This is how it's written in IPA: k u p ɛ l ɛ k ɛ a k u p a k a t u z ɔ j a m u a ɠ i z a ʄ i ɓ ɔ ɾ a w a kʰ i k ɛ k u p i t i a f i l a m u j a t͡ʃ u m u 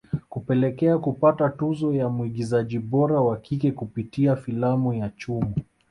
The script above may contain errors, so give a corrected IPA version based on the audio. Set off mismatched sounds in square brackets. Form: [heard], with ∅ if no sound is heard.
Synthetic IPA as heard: k u p ɛ l ɛ k ɛ a k u p a [t] a t u z ɔ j a m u [i] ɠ i z a ʄ i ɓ ɔ ɾ a w a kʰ i k ɛ k u p i t i a f i l a m u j a t͡ʃ u m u

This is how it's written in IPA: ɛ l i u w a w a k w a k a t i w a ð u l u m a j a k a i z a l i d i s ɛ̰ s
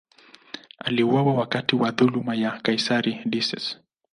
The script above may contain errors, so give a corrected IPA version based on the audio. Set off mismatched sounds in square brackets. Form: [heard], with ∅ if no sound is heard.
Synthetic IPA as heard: [a] l i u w a w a [∅] w a k a t i w a ð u l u m a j a k a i [s] a [ɾ] i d i s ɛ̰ s

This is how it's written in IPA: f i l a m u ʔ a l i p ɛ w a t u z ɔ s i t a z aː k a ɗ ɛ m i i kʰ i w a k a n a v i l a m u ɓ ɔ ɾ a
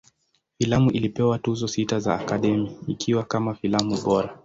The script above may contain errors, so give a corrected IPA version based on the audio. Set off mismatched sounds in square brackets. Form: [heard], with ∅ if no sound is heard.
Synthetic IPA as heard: f i l a m u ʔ [i] l i p ɛ w a t u z ɔ s i t a z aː k a ɗ ɛ m i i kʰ i w a k a [m] a [f] i l a m u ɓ ɔ ɾ a

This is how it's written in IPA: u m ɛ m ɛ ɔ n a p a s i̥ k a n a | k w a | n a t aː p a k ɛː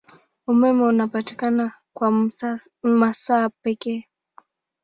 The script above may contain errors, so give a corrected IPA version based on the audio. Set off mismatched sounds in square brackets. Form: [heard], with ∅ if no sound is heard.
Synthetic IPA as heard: u m ɛ m ɛ [u] n a p a [t] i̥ k a n a | k w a | [m] a [s] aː p [ɛ] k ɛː

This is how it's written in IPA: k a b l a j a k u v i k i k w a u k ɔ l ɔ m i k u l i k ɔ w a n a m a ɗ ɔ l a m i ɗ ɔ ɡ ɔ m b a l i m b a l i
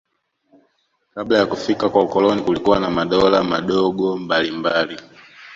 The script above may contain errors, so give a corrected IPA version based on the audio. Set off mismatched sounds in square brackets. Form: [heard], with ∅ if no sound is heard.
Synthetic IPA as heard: k a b l a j a k u [f] i k [a] k w a u k ɔ l ɔ [n] i k u l i k [u] w a n a m a ɗ ɔ l a m [a] ɗ ɔ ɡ ɔ m b a l i m b a l i

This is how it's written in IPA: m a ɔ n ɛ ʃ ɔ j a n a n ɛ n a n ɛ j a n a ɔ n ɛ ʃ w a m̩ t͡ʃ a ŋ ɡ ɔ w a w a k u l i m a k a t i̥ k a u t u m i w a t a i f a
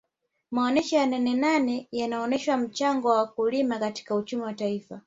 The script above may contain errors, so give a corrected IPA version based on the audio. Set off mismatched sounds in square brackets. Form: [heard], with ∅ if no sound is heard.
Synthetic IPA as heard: m a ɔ n ɛ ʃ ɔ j a n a n ɛ n a n ɛ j a n a ɔ n ɛ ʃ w a m̩ t͡ʃ a ŋ ɡ ɔ w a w a k u l i m a k a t i̥ k a u [t͡ʃ] u m i w a t a i f a

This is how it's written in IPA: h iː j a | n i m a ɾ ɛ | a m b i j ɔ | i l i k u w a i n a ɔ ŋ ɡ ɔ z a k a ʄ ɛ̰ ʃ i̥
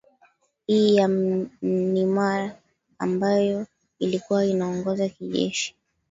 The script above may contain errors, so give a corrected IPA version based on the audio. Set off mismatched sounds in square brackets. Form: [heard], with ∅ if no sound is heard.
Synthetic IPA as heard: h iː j a | n i m a ɾ [a] | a m b [a] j ɔ | i l i k u w a i n a ɔ ŋ ɡ ɔ z a k [i] ʄ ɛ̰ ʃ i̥

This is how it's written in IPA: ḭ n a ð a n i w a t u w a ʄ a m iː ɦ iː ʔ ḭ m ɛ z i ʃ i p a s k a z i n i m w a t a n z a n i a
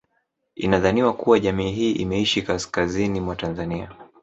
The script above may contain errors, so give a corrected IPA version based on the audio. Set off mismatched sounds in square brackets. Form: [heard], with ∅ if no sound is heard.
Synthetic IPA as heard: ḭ n a ð a n i w a [k] u w a ʄ a m iː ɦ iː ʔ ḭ m ɛ [∅] i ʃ i [k] a s k a z i n i m w a t a n z a n i a

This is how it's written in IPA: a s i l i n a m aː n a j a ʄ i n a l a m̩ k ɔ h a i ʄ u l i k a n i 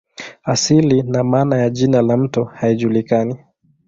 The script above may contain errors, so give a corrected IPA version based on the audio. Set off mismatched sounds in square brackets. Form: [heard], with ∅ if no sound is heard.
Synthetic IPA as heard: a s i l i n a m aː n a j a ʄ i n a l a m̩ [t] ɔ h a i ʄ u l i k a n i

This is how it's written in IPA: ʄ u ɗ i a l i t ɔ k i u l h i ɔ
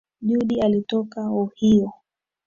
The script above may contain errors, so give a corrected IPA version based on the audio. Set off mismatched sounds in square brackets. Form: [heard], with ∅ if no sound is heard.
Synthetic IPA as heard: ʄ u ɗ i a l i t ɔ k [a] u [∅] h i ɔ

